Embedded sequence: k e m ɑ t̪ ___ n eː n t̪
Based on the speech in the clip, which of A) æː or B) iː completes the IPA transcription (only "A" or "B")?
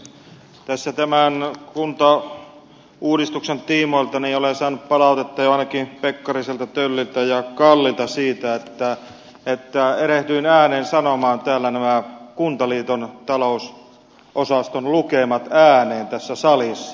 A